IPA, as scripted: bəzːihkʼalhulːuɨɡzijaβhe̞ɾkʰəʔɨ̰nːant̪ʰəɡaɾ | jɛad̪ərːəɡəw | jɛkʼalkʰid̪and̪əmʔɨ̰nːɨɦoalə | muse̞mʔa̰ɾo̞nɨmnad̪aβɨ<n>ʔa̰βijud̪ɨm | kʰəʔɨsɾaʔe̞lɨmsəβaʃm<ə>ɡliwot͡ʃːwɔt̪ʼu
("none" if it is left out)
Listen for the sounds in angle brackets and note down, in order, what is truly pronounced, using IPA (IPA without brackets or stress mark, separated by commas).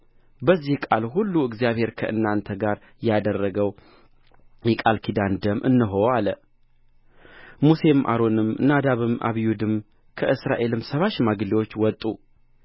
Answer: m, a